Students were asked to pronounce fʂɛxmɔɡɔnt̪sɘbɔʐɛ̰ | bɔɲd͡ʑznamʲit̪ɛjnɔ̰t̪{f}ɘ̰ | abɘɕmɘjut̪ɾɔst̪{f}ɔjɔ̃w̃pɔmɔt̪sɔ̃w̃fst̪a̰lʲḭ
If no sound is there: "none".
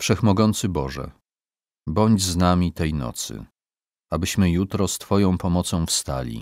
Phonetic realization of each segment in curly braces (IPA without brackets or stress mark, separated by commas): s, f